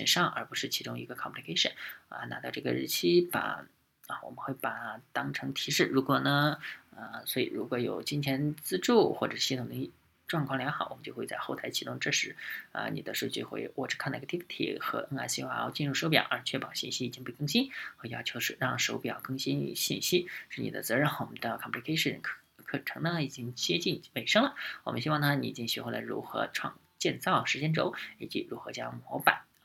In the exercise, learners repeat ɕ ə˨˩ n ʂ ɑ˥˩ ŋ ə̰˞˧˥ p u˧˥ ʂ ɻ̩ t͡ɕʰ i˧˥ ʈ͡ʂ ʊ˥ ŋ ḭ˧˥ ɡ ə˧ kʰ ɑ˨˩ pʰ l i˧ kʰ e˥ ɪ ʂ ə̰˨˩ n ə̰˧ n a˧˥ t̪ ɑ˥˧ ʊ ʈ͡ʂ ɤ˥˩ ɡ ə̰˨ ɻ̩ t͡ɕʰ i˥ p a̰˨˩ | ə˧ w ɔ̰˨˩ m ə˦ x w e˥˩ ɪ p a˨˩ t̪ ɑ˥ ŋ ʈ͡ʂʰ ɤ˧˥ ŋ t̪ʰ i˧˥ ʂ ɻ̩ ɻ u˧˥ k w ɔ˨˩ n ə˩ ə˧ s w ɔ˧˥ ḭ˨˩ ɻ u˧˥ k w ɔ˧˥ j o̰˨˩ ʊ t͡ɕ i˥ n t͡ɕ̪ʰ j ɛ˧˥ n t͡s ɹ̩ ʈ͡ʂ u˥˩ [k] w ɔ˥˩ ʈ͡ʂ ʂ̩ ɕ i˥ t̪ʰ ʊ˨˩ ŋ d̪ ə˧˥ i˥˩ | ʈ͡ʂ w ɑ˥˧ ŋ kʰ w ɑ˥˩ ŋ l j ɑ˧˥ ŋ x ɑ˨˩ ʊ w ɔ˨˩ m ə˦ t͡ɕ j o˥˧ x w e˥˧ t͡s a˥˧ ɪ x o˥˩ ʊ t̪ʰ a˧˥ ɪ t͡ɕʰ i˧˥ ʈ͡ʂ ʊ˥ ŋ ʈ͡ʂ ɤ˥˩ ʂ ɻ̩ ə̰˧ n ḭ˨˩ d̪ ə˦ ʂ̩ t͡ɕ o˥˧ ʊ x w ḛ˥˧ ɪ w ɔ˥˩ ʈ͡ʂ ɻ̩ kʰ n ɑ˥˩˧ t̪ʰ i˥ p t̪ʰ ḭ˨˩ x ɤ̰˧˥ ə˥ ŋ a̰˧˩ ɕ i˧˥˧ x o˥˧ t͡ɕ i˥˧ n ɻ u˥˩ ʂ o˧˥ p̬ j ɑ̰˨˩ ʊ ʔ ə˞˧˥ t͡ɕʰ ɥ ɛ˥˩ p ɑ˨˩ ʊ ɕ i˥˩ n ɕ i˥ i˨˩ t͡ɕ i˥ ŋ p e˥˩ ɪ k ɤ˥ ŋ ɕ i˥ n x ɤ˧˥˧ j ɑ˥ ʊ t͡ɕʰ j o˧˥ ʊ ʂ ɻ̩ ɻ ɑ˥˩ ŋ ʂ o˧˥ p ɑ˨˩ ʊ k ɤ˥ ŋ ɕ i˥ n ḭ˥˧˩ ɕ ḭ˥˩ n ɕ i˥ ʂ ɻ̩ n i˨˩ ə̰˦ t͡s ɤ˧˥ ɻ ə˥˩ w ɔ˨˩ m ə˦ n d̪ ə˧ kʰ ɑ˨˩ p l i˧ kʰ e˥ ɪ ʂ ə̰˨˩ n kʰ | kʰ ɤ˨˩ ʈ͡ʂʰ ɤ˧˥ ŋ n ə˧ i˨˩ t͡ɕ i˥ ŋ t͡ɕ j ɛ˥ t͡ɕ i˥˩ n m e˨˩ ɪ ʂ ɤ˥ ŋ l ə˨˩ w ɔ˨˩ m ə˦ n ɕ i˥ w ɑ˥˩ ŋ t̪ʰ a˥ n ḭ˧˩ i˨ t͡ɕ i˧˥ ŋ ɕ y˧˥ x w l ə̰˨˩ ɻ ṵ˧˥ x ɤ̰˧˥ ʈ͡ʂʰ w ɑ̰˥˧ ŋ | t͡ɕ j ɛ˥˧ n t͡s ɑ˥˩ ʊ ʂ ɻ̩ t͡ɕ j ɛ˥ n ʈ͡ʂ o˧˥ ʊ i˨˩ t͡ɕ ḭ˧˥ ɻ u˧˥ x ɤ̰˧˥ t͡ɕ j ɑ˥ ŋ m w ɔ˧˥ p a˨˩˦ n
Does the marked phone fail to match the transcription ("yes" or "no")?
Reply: yes